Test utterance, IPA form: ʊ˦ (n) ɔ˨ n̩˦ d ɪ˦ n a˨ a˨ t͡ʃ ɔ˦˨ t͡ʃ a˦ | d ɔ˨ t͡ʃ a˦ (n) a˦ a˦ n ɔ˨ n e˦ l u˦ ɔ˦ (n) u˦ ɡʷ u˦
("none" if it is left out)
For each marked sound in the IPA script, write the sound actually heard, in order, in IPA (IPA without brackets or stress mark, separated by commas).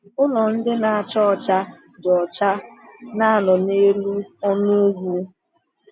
n, n, n